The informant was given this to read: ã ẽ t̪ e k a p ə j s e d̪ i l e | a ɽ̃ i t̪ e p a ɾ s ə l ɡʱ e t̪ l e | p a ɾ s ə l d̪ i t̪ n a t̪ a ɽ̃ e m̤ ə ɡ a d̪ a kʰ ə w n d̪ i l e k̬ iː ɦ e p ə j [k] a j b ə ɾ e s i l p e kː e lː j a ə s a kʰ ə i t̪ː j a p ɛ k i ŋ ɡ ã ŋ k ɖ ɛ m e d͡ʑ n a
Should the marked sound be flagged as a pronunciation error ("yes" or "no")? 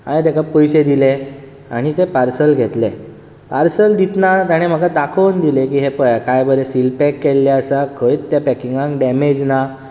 no